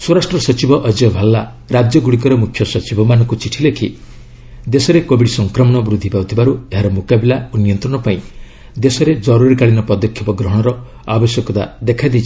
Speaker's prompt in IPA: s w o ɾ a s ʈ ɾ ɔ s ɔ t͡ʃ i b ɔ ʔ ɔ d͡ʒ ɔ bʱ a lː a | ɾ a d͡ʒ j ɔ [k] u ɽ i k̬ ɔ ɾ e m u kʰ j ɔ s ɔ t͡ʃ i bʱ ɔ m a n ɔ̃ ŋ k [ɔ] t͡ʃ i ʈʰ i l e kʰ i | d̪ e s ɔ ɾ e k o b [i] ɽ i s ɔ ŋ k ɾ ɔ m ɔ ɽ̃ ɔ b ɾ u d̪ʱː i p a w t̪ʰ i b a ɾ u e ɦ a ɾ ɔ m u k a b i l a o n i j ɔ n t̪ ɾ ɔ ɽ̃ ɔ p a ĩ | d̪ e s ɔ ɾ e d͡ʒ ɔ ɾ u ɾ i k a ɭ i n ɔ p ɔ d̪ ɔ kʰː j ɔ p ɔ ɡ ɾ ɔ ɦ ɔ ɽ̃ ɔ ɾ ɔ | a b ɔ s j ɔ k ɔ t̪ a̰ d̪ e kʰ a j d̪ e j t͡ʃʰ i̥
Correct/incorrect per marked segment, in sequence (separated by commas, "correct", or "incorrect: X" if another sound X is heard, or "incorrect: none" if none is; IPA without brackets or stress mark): incorrect: ɡ, incorrect: u, correct